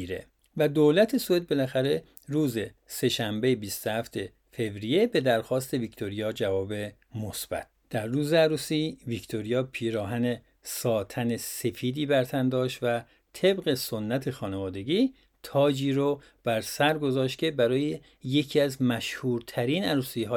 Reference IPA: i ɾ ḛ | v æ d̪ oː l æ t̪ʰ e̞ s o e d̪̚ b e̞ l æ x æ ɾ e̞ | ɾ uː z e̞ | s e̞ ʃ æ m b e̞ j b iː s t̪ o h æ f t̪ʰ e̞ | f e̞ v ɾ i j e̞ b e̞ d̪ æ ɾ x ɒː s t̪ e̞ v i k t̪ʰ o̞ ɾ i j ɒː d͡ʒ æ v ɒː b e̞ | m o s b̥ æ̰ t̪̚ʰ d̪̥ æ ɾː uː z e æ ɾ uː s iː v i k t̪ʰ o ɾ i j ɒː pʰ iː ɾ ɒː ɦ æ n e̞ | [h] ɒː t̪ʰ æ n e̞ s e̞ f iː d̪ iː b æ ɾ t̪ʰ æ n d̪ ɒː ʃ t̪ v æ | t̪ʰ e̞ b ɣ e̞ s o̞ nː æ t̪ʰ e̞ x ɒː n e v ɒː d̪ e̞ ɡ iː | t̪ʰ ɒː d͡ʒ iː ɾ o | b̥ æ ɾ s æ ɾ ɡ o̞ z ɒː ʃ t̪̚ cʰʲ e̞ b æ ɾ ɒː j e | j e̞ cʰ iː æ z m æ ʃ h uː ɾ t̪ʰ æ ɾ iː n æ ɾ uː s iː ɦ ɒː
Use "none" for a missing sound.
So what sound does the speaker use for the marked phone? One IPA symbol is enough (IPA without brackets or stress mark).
s